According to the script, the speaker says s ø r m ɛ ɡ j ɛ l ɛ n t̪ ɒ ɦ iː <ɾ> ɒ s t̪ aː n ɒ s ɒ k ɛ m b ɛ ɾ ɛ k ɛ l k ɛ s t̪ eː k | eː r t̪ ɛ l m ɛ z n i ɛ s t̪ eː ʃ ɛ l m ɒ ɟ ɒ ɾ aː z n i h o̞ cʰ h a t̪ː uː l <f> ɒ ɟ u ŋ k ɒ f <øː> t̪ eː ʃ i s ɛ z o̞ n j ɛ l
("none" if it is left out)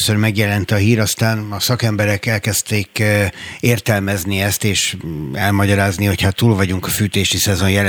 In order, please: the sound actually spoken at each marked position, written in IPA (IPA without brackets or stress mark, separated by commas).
ɾ, v, yː